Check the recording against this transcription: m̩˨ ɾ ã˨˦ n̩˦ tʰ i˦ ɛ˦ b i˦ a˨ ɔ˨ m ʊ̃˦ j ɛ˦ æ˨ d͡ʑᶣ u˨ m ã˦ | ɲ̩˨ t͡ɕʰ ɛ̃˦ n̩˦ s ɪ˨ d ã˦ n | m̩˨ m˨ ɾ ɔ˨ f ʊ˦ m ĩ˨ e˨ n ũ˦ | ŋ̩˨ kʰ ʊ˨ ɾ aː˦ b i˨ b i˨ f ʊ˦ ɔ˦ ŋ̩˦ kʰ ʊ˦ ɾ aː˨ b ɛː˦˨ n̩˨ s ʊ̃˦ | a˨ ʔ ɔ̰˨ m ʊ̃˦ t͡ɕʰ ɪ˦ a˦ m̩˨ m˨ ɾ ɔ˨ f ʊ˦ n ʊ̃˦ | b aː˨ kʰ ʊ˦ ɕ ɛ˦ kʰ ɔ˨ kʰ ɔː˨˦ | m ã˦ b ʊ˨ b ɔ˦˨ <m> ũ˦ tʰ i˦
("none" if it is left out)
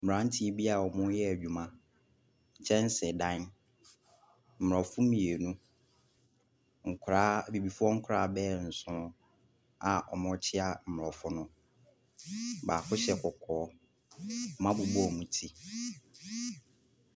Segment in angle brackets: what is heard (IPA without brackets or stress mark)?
m